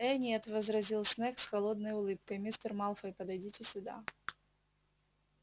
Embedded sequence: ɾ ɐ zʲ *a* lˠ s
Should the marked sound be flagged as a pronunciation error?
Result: yes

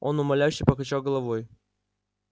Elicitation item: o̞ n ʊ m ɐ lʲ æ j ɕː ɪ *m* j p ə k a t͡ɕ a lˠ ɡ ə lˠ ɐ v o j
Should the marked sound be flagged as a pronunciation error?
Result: yes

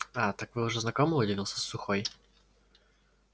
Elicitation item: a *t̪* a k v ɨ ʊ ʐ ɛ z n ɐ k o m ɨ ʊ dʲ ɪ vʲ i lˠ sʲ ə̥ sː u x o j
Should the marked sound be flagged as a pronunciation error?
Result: no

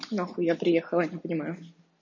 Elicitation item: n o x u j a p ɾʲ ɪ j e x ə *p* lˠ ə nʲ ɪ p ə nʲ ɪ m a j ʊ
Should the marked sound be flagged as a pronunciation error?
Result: yes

